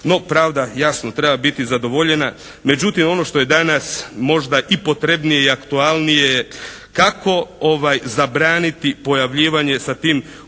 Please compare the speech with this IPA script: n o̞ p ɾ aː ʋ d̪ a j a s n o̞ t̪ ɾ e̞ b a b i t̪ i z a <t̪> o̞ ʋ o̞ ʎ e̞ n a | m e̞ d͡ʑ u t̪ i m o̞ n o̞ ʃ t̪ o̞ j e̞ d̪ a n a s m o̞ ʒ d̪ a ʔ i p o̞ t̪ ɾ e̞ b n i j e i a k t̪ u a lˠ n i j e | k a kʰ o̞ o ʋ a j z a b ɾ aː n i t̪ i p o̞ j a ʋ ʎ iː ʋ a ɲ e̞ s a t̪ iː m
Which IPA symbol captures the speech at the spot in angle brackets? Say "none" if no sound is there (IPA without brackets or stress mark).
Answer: d̪